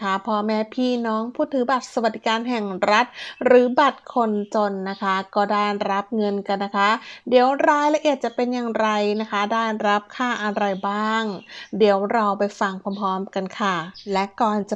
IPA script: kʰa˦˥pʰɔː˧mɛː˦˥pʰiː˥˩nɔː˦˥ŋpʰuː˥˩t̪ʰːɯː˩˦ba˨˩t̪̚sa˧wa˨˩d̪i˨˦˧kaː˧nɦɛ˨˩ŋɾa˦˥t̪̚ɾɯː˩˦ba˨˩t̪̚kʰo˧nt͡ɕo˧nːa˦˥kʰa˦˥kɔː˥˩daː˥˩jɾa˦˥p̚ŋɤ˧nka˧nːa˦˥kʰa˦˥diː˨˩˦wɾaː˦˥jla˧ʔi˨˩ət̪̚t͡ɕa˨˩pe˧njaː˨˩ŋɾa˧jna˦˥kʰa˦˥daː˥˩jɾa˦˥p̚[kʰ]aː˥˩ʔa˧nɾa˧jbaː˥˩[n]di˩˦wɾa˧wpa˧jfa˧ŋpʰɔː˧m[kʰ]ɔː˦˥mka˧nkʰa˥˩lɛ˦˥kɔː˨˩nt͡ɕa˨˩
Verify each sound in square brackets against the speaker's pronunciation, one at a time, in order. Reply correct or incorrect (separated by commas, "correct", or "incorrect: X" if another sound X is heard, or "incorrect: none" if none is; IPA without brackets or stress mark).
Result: correct, incorrect: ŋ, incorrect: pʰ